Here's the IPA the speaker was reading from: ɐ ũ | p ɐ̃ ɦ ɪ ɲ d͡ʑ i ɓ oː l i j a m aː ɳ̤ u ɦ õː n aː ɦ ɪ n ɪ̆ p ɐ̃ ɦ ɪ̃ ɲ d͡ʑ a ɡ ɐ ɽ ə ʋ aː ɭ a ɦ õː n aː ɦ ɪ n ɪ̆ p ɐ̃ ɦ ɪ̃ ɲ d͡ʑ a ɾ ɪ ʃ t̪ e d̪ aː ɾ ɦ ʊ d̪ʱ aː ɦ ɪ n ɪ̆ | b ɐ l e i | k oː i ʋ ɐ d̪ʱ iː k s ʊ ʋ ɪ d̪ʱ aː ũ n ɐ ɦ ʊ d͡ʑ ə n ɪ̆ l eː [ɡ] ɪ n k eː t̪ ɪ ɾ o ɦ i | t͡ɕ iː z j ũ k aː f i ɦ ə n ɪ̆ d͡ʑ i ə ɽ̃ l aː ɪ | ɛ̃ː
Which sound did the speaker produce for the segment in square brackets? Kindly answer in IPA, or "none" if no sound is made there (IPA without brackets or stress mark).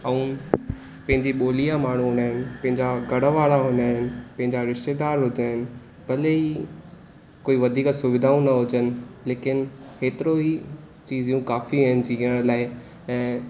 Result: k